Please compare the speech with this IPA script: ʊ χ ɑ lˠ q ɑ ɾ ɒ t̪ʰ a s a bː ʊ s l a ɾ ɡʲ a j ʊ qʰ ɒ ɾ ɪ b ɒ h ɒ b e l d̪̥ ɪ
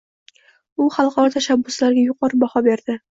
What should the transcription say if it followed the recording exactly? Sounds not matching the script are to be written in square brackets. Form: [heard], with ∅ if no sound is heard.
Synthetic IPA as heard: ʊ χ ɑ lˠ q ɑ ɾ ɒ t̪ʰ a [ʃ] a bː ʊ s l a ɾ ɡʲ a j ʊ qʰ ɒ ɾ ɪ b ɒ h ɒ b e [ɾ] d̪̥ ɪ